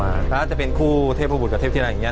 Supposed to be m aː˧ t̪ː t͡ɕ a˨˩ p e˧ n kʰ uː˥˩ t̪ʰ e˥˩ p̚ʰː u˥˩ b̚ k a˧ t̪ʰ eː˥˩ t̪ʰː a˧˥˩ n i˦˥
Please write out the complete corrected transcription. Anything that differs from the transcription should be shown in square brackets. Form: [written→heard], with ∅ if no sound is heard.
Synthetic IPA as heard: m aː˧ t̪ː t͡ɕ a˨˩ p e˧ n kʰ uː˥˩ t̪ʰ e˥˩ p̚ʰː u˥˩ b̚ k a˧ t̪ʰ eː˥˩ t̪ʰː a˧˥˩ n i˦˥